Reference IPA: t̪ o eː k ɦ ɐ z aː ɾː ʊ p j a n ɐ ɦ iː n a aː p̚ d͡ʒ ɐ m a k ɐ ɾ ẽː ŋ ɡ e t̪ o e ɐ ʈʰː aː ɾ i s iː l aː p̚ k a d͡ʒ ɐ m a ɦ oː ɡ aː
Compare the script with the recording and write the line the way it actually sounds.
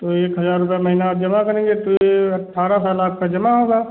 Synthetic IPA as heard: t̪ o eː k ɦ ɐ z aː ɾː ʊ p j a m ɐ ɦ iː n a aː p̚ d͡ʒ ɐ m a k ɐ ɾ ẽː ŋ ɡ e t̪ o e ɐ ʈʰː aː ɾ a s aː l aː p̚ k a d͡ʒ ɐ m a ɦ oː ɡ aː